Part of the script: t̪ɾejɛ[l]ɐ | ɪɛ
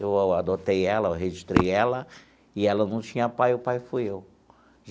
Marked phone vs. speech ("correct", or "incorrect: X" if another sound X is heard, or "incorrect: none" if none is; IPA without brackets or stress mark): correct